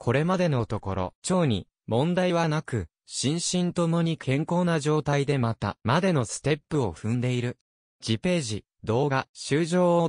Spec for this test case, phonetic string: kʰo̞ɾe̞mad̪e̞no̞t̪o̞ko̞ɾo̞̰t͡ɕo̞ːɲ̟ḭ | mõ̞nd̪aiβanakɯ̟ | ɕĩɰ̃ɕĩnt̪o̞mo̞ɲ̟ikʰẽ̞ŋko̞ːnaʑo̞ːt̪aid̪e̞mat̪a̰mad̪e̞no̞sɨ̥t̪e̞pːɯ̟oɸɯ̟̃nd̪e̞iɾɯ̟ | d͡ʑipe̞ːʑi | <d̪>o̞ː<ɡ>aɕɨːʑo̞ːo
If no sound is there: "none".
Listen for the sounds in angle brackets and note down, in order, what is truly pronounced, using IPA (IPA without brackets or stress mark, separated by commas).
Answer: d̪, ɡ